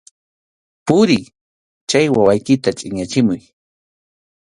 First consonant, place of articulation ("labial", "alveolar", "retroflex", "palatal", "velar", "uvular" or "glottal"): labial